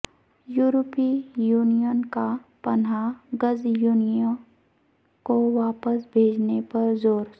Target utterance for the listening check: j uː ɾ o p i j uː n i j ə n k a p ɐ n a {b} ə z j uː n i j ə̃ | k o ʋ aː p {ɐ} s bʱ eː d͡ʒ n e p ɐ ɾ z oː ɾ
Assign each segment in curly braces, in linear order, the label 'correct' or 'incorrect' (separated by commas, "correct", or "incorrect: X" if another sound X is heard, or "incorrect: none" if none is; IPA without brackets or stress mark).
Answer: incorrect: ɡ, incorrect: ə